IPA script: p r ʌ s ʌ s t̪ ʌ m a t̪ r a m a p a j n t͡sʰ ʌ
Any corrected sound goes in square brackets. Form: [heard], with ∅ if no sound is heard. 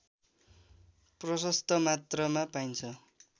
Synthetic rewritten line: p r ʌ s ʌ s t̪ ʌ m a t̪ r [ʌ] m a p a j n t͡sʰ ʌ